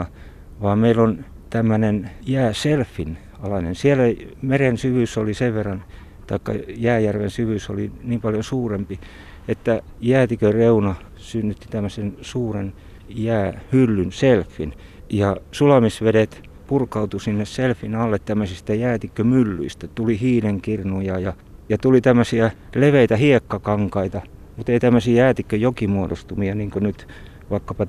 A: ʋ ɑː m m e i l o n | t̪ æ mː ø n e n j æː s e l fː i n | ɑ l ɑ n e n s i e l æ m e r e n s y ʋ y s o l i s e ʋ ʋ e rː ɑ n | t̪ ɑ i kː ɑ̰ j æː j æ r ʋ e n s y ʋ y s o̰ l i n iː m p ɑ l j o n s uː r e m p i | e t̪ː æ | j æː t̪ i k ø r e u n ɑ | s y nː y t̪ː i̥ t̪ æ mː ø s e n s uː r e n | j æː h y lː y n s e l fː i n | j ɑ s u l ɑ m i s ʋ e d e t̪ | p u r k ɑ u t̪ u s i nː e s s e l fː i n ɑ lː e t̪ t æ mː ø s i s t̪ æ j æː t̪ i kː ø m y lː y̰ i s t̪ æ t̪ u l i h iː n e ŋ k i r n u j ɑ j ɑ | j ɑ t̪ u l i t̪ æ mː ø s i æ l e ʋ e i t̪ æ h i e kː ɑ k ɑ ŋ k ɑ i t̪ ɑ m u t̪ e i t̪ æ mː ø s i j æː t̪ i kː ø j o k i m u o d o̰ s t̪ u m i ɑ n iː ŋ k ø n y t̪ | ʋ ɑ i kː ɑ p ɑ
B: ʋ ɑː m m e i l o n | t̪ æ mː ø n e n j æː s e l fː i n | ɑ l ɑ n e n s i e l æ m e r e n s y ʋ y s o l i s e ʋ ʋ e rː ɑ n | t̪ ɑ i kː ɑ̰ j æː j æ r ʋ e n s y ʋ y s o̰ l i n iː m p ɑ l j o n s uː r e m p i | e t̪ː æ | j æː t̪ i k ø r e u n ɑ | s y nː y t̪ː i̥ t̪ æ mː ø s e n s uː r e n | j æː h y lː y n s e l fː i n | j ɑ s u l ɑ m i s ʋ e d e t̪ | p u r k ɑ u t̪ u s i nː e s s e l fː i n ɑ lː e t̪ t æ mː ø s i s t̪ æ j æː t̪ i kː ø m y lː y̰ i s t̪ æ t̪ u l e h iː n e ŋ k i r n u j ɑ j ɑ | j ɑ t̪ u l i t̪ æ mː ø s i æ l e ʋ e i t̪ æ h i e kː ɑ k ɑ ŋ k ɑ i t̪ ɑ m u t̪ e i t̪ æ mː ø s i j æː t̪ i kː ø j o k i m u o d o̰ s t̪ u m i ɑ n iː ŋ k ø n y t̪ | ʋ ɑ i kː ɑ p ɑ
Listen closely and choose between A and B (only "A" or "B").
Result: A